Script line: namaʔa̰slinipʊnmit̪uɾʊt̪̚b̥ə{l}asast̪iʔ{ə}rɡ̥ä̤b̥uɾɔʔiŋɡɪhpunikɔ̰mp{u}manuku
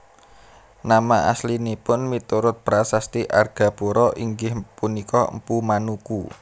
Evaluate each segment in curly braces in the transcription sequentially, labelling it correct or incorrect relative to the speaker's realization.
incorrect: ɾ, incorrect: a, correct

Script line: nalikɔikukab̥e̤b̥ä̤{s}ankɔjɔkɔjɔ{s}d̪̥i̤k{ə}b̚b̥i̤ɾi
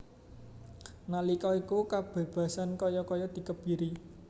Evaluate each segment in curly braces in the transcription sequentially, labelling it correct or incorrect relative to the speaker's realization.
correct, incorrect: none, correct

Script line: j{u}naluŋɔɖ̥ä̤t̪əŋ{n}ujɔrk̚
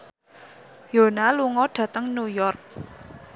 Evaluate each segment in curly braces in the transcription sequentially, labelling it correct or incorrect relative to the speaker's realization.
incorrect: o, correct

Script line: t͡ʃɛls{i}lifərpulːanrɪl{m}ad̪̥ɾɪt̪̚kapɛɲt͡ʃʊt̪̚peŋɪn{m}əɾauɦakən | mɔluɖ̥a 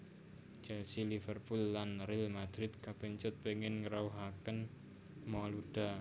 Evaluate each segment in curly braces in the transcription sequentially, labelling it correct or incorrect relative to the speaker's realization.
correct, correct, incorrect: ŋ

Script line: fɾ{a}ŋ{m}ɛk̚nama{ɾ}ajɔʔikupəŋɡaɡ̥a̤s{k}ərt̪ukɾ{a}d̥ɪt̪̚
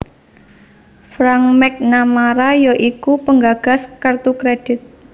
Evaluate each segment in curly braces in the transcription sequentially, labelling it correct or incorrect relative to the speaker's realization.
correct, correct, correct, correct, incorrect: e

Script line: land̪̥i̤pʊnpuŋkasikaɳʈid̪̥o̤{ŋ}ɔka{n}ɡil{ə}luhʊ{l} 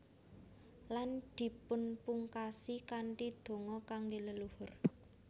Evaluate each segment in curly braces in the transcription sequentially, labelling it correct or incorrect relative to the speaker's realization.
correct, incorrect: ŋ, correct, incorrect: r

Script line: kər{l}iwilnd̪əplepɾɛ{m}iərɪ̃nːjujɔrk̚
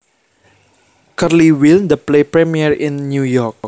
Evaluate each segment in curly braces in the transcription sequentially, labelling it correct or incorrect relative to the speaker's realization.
correct, correct

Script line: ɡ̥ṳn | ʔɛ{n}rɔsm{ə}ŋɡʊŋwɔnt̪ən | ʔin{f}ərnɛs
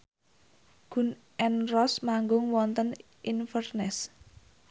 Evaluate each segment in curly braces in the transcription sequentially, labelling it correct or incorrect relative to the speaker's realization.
correct, incorrect: a, correct

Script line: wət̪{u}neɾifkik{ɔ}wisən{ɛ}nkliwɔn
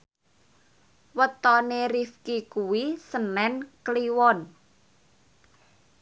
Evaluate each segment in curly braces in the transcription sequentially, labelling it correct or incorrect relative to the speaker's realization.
incorrect: ɔ, incorrect: u, correct

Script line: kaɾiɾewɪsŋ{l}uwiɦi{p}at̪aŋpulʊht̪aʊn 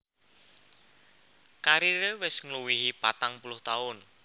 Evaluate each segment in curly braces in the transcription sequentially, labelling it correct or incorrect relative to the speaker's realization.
correct, correct

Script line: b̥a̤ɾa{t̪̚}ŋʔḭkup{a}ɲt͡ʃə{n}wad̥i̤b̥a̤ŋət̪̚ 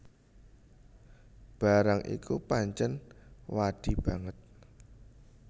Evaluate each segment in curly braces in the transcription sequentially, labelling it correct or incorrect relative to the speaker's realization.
incorrect: none, correct, correct

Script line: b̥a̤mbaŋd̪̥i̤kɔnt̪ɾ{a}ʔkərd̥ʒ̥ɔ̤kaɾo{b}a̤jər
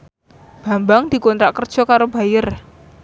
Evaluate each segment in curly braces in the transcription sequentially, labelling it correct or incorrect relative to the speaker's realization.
correct, correct

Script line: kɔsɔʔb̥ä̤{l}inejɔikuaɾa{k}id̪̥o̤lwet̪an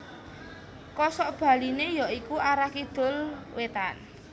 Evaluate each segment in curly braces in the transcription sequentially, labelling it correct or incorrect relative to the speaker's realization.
correct, correct

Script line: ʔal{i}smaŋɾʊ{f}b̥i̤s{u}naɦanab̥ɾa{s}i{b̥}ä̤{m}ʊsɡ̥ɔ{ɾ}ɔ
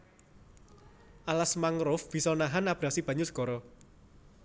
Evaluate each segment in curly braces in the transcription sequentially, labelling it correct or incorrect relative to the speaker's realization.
incorrect: a, correct, incorrect: ɔ, correct, correct, incorrect: ɲ, correct

